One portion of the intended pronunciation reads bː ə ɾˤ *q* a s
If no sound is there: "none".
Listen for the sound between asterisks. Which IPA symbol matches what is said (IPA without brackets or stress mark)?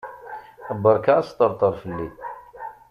k